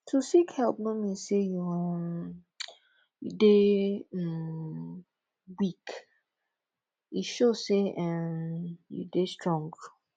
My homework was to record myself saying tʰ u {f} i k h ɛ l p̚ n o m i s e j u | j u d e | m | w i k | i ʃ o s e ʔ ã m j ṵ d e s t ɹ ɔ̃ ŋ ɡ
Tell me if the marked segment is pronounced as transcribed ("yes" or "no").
no